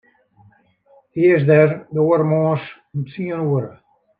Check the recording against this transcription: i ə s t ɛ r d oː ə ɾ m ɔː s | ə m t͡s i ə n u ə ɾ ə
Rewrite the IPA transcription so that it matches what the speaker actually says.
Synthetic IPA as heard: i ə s d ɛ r d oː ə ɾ m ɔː s | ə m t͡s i ə n u ə ɾ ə

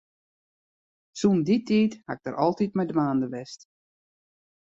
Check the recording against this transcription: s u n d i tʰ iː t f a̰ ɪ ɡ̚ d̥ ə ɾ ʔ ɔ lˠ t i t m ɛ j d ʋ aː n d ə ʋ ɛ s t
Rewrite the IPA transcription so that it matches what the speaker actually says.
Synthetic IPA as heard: s u n d i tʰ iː t h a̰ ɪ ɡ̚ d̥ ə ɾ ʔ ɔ lˠ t i t m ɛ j d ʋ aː n d ə ʋ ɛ s t

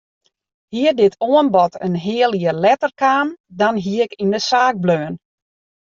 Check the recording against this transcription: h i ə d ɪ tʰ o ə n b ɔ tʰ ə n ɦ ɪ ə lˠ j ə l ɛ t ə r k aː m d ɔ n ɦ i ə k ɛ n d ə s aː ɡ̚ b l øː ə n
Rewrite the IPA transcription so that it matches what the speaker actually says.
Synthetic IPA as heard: h i ə d ɪ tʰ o ə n b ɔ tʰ ə n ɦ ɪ ə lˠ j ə l ɛ t ə r k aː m d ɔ n ɦ i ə k i n d ə s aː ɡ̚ b l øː ə n

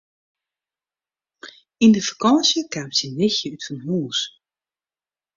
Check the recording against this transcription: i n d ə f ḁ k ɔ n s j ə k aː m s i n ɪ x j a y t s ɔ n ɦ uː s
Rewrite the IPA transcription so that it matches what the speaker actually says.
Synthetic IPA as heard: i n d ə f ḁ k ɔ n s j ə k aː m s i n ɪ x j ə y t f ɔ n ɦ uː s

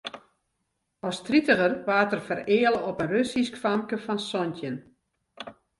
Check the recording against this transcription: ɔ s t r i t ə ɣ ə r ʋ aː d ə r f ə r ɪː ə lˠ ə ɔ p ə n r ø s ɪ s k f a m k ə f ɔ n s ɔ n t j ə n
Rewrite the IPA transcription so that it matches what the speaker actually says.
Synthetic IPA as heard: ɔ s t r i t ə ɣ ə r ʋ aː t ə r f ə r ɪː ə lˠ ə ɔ p ə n r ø s i s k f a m k ə f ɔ n s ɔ n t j ə n

